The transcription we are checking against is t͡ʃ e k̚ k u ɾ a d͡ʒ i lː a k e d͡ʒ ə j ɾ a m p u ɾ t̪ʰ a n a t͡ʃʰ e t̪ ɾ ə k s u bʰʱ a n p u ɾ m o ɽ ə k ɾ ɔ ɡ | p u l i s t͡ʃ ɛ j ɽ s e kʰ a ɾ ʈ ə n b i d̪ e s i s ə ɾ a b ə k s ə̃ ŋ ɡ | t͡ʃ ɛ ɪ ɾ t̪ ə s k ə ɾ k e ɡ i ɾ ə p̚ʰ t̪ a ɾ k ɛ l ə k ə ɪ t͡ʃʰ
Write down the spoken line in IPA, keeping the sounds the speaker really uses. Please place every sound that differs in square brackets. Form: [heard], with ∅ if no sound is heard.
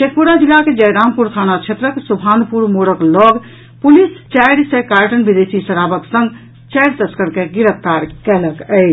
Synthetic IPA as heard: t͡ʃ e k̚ [p] u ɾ a d͡ʒ i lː a k e d͡ʒ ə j ɾ a m p u ɾ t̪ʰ a n a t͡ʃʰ e t̪ ɾ ə k s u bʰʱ a n p u ɾ m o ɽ ə k [l] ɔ ɡ | p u l i s t͡ʃ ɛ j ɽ s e [k] a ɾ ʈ ə n b i d̪ e s i s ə ɾ a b ə k s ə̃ ŋ ɡ | t͡ʃ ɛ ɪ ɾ t̪ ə s k ə ɾ k e ɡ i ɾ ə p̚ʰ t̪ a ɾ k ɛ l ə k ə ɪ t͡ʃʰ